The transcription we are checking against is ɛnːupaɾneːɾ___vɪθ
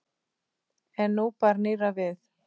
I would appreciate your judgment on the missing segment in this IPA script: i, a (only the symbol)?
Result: a